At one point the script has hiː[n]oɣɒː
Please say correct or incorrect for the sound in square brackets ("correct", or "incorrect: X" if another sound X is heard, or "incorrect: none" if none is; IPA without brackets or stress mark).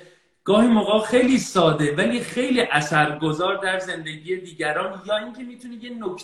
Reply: incorrect: m